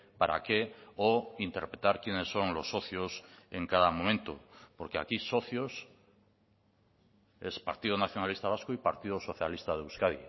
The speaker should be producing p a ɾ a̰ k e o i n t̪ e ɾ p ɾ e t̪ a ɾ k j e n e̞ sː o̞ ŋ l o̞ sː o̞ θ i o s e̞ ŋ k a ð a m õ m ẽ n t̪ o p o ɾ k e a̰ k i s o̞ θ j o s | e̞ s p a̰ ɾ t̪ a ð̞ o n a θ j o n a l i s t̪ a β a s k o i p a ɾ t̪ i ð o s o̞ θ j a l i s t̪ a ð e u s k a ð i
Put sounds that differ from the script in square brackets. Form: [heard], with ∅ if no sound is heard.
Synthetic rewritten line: p a ɾ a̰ k e o i n t̪ e ɾ p ɾ e t̪ a ɾ k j e n e̞ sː o̞ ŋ l o̞ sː o̞ θ [j] o s e̞ ŋ k a ð a m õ m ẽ n t̪ o p o ɾ k e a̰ k i s o̞ θ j o s | e̞ s p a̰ ɾ t̪ [i] ð̞ o n a θ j o n a l i s t̪ a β a s k o i p a ɾ t̪ i ð o s o̞ θ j a l i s t̪ a ð e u s k a ð i